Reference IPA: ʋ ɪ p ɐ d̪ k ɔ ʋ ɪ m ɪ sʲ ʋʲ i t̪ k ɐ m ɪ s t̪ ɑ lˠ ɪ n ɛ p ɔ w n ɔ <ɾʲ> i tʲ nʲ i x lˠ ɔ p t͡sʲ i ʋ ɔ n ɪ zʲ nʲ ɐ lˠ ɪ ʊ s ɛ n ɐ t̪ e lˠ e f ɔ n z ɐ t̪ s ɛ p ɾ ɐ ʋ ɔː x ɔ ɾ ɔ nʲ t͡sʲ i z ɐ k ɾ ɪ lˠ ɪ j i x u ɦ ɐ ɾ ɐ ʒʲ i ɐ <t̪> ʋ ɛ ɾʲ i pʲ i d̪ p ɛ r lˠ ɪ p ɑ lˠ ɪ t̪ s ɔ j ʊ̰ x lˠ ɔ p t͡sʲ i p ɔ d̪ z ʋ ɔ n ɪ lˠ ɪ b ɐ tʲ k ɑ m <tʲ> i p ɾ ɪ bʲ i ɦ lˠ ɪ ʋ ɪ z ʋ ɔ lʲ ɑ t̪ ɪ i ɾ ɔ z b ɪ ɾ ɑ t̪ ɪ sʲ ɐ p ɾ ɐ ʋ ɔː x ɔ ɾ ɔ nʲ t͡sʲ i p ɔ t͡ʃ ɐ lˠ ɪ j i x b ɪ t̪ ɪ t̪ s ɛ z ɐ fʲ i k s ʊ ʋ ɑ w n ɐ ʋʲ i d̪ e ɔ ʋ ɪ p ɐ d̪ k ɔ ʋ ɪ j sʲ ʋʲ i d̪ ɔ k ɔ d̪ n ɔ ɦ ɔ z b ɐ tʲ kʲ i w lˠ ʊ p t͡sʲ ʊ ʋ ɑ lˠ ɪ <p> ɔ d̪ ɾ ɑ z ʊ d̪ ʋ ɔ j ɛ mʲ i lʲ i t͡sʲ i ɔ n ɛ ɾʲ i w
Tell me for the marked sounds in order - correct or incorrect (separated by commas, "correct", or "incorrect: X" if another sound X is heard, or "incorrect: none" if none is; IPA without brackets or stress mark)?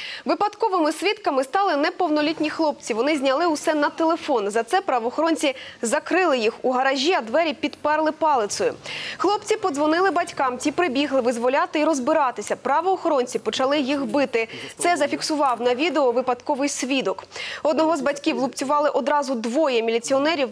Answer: incorrect: lʲ, incorrect: d̪, correct, incorrect: ʔ